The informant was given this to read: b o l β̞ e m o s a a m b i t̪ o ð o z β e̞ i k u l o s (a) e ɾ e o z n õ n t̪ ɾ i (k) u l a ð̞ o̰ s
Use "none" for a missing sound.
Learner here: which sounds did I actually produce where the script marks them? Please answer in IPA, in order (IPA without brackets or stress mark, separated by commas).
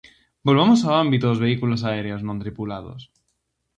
a, p